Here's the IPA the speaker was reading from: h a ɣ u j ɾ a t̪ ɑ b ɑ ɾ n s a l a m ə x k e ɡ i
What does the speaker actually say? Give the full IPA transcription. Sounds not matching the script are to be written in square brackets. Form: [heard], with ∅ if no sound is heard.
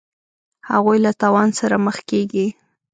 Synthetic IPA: h a ɣ u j [l] a t̪ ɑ [w] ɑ [∅] n s a [ɾ] a m ə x k e ɡ i